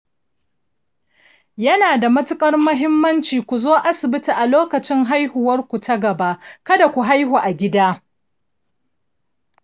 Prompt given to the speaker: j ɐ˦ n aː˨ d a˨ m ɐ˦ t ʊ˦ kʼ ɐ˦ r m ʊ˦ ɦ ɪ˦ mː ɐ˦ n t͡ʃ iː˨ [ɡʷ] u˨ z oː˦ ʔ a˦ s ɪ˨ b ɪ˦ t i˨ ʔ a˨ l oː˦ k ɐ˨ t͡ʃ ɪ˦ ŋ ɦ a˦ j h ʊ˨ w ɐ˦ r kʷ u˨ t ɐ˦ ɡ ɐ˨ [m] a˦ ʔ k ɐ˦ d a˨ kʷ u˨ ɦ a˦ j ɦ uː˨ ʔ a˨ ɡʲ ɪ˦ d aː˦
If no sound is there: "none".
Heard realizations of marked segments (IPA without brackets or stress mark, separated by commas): kʷ, b